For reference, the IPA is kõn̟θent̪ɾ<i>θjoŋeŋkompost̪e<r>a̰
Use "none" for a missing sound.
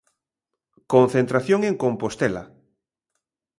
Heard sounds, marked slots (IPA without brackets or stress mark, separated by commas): a, l